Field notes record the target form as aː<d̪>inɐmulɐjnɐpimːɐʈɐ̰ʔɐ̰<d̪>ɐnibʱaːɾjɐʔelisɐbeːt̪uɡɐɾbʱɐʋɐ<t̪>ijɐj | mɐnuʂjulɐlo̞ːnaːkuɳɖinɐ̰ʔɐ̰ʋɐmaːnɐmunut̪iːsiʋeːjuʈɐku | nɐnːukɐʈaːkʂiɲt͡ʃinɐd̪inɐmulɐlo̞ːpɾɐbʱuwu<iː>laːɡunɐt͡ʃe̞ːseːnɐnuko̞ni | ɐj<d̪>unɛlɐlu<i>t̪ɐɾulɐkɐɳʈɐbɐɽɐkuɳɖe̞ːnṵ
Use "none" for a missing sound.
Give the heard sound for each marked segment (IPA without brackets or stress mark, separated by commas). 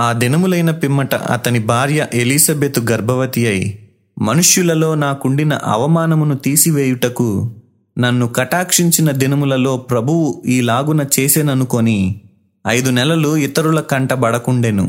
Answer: d̪, t̪, t̪, iː, d̪, i